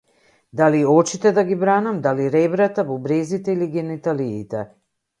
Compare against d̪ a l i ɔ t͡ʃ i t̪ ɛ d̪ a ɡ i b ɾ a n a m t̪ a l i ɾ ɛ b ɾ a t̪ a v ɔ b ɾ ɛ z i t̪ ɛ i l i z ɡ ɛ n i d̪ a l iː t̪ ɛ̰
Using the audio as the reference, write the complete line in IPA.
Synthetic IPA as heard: d̪ a l i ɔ t͡ʃ i t̪ ɛ d̪ a ɡ i b ɾ a n a m d̪ a l i ɾ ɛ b ɾ a t̪ a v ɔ b ɾ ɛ z i t̪ ɛ i l i ɡ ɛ n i t̪ a l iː t̪ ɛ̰